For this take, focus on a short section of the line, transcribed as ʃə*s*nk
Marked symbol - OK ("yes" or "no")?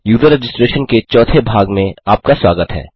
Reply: no